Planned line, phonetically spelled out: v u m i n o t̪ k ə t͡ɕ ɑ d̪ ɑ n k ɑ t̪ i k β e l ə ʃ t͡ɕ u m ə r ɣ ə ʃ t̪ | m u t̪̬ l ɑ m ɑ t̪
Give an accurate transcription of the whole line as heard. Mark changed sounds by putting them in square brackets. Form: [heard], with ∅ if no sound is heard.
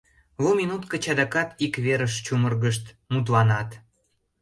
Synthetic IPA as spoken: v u m i n [u] t̪ k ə t͡ɕ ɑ d̪ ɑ [∅] k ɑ t̪ i k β e [ɾ] ə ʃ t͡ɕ u m ə r ɣ ə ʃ t̪ | m u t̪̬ l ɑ [n] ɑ t̪